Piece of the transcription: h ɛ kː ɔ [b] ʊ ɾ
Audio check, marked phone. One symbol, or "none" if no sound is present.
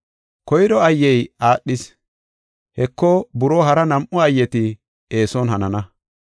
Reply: b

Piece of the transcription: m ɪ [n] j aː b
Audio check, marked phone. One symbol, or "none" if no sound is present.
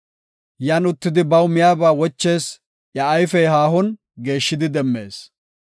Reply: none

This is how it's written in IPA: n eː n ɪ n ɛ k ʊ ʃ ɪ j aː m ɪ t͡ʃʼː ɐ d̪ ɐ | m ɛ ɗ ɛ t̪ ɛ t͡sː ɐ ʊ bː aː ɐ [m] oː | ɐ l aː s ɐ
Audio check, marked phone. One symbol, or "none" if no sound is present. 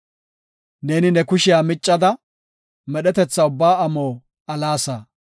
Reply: m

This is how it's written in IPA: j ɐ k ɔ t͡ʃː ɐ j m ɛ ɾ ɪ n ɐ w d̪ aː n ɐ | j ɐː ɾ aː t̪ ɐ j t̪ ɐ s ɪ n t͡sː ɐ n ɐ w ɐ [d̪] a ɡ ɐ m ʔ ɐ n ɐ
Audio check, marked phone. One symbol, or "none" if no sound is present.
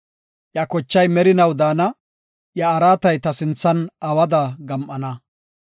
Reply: d̪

